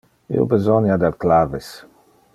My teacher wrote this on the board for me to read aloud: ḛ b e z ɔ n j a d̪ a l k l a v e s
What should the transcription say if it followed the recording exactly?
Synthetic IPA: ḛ b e z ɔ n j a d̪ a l k l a v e s

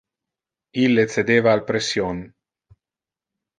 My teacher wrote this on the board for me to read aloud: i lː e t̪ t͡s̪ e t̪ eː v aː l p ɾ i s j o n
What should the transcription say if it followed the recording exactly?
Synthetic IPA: i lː e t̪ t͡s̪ e d̪ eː v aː l p ɾ e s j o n

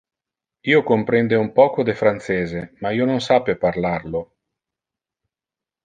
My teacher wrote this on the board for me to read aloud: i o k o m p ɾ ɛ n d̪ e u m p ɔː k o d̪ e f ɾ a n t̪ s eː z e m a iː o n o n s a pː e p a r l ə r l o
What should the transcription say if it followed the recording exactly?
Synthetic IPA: iː o k o m p ɾ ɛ n d̪ e u m p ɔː k o d̪ e f ɾ a n t̪ s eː z e m a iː o n o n s a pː e p a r l a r l o

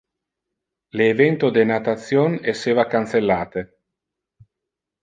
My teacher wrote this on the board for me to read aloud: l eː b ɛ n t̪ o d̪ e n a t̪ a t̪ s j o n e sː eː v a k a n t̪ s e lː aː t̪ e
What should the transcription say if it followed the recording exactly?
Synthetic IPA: l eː v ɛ n t̪ o d̪ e n a t̪ a t̪ s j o n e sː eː v a k a n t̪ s e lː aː t̪ e

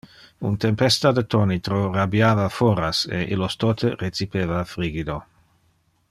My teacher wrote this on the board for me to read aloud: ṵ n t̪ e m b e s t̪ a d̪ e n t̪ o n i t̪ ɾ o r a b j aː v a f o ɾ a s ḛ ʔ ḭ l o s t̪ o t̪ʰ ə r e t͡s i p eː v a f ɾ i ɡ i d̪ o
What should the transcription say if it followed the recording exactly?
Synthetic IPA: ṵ n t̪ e m p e s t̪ a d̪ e t̪ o n i t̪ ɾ o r a b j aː v a f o ɾ a s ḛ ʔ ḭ l o s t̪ o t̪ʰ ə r e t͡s i p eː v a f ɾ i ɡ i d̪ o

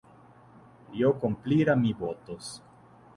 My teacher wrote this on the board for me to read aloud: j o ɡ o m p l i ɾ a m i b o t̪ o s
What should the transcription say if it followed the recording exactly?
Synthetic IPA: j o k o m p l i ɾ a m i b o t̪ o s

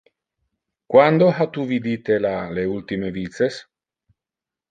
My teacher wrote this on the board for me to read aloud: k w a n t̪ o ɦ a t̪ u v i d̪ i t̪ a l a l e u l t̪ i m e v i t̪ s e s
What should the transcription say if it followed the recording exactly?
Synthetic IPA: k w a n d̪ o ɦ a t̪ u v i d̪ i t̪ e l a l e u l t̪ i m e v i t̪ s e s

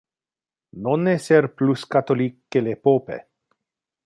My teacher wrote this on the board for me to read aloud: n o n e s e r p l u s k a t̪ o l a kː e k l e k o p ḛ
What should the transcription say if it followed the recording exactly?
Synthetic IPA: n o n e s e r p l u s k a t̪ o l i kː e l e p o p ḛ

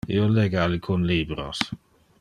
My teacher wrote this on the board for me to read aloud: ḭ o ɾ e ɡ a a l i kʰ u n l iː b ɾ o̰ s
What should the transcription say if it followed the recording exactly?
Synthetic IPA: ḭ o l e ɡ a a l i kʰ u n l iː b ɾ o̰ s

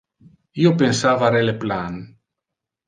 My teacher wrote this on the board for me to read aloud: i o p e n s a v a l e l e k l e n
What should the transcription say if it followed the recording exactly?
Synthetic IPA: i o p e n s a v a ɾ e l e p l a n

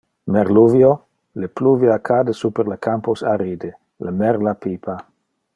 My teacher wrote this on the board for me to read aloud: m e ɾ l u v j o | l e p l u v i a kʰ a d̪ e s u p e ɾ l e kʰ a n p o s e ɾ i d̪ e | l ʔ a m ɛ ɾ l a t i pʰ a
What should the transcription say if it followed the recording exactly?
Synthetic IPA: m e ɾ l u v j o | l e p l u v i a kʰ a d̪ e s u p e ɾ l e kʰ a m p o s a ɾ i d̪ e | l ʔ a m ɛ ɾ l a p i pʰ a

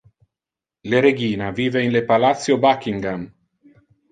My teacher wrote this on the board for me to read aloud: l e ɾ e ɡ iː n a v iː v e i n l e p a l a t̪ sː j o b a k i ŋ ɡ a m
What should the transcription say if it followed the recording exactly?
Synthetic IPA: l e ɾ e ɡ iː n a v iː v e i n l e p a l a t̪ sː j o b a k i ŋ ɡ a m

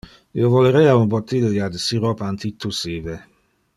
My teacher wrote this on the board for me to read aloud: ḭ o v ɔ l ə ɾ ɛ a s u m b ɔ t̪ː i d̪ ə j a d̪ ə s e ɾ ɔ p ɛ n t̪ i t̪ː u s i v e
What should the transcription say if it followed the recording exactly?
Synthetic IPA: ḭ o v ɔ l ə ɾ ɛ a u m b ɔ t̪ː i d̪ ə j a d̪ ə s i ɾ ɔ p a n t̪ i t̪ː u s i v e

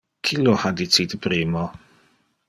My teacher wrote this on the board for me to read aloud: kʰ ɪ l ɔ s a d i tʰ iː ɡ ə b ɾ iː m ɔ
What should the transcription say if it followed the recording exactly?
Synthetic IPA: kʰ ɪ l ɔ h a d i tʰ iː d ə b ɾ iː m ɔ

